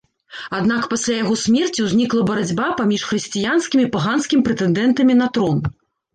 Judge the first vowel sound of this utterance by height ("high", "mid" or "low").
low